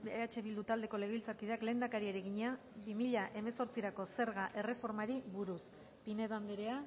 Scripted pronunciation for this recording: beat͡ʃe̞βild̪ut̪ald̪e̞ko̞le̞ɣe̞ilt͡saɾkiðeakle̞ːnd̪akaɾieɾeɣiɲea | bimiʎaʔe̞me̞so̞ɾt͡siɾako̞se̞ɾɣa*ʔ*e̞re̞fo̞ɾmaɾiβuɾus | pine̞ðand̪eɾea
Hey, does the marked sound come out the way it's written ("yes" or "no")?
yes